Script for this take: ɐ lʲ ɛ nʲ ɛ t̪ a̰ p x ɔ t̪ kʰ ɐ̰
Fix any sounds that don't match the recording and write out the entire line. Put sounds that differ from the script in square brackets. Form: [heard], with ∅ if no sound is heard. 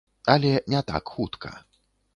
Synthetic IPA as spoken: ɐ lʲ ɛ nʲ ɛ t̪ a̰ [k] x [u] t̪ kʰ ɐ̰